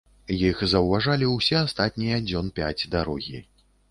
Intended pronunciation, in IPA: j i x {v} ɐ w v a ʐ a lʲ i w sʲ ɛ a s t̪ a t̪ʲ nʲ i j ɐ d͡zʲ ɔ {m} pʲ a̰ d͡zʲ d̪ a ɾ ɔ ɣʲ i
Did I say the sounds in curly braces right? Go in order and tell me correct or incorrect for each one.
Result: incorrect, incorrect

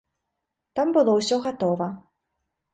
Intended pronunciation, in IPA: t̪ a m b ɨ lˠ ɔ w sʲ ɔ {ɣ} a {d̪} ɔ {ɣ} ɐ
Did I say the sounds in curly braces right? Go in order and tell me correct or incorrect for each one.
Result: correct, incorrect, incorrect

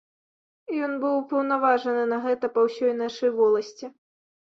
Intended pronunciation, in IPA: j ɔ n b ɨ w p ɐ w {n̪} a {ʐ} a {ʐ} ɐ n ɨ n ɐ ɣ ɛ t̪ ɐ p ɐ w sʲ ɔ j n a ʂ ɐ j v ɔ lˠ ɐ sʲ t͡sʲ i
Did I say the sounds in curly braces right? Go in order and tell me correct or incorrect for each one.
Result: correct, incorrect, correct

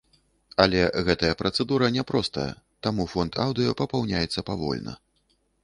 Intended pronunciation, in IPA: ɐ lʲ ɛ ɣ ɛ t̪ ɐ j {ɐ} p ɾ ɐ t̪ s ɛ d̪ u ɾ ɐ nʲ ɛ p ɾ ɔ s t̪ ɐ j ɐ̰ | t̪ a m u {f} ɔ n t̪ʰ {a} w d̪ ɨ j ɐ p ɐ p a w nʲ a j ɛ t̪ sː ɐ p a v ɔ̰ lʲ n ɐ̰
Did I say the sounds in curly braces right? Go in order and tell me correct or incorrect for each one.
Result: correct, correct, correct

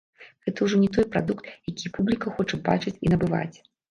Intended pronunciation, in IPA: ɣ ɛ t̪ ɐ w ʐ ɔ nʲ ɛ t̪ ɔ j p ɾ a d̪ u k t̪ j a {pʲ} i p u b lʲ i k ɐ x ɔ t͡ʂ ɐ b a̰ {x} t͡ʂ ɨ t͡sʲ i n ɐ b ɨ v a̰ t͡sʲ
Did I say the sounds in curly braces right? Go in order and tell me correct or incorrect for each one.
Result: incorrect, incorrect

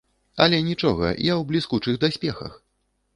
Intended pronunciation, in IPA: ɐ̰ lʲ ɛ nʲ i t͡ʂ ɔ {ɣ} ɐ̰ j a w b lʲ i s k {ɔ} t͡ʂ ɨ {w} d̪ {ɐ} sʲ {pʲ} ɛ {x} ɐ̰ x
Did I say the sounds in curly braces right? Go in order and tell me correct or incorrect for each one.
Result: correct, incorrect, incorrect, incorrect, correct, correct

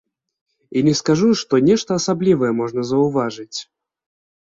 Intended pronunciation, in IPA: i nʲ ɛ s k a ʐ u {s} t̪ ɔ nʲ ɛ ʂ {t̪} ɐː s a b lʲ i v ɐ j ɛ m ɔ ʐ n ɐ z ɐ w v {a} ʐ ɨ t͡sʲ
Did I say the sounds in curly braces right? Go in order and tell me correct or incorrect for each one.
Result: incorrect, correct, correct

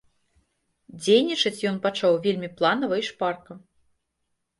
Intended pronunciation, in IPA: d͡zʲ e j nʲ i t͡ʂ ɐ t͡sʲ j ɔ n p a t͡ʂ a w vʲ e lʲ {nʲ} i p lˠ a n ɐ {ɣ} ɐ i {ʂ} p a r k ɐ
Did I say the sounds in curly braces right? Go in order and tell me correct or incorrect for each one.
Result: incorrect, incorrect, correct

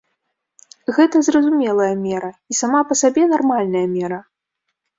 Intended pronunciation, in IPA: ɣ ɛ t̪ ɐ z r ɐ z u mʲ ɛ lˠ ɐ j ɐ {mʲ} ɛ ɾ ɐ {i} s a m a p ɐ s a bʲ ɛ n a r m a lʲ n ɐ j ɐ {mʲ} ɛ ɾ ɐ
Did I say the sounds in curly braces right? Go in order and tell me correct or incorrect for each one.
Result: correct, correct, correct

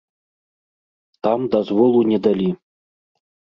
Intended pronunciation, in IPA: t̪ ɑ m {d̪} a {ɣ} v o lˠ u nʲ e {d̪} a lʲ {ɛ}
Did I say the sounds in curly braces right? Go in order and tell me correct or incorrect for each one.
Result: correct, incorrect, correct, incorrect

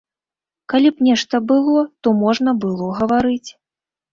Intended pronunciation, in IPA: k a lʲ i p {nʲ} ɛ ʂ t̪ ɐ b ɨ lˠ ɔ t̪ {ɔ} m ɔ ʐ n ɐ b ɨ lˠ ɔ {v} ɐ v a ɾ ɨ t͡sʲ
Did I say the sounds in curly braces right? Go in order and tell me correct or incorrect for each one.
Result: correct, correct, incorrect

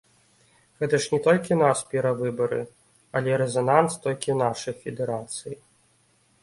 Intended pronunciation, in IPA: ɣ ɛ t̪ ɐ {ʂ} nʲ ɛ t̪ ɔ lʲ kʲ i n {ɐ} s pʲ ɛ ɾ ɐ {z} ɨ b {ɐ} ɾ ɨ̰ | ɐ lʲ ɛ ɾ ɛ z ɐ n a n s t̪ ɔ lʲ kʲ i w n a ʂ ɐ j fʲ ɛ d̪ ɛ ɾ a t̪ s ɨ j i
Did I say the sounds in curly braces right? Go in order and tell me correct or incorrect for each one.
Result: correct, incorrect, incorrect, correct

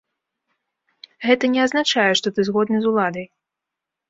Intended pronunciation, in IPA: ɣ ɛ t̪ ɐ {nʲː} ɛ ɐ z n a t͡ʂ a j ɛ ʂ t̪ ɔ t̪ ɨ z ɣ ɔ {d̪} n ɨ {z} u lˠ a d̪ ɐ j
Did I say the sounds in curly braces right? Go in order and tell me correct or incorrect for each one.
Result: incorrect, correct, correct

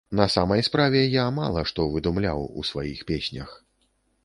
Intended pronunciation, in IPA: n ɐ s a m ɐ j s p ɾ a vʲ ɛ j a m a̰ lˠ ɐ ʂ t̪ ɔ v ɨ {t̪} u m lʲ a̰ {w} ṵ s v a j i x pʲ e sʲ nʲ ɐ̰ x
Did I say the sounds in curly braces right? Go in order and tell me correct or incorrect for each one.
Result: incorrect, correct

